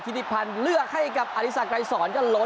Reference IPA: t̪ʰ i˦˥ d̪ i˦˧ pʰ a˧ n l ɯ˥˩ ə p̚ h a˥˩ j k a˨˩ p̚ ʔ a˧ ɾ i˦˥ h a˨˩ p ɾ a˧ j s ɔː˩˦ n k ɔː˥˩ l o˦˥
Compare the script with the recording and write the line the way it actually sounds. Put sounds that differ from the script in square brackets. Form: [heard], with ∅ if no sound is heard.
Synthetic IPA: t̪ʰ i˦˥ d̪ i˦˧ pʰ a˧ n l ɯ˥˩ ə [k̚] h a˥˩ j k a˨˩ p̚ ʔ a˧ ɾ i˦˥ [s] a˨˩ [k] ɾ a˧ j s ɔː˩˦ n k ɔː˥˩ l o˦˥